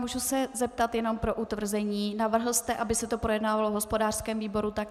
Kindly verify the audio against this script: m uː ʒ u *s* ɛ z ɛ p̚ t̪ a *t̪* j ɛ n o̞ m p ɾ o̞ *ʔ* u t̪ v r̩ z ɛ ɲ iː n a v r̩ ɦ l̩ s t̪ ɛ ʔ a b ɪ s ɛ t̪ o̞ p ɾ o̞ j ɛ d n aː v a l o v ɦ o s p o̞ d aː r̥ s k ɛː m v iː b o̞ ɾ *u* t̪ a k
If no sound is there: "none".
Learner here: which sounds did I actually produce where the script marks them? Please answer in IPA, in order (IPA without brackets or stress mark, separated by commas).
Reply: s, t̪, ʔ, u